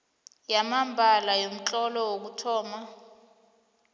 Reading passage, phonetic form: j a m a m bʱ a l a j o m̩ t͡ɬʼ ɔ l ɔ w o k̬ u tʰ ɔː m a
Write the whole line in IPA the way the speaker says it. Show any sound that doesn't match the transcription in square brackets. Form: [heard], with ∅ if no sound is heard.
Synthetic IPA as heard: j a m a m bʱ a l a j o m̩ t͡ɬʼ ɔ l ɔ w o k̬ u tʰ ɔː m a